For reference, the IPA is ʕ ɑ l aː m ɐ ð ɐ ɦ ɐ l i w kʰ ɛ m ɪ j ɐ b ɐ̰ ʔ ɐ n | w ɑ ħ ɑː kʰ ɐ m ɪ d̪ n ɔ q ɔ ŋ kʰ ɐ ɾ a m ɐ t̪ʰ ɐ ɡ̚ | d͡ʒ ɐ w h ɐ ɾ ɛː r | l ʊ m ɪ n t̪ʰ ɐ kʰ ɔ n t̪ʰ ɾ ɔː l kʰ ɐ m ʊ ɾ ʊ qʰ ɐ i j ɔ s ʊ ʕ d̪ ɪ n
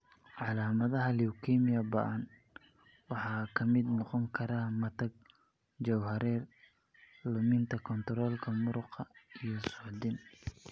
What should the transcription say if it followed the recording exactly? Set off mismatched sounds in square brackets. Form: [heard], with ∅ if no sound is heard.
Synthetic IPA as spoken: ʕ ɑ l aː m ɐ ð ɐ ɦ ɐ l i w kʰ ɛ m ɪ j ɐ b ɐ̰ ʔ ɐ n | w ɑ ħ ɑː kʰ ɐ m ɪ d̪ n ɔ q ɔ ŋ kʰ ɐ ɾ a m ɐ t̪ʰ ɐ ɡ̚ | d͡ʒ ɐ w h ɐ ɾ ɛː r | l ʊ m ɪ n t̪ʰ ɐ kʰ ɔ n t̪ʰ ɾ ɔː l kʰ ɐ m ʊ ɾ ʊ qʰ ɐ i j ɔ s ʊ ʕ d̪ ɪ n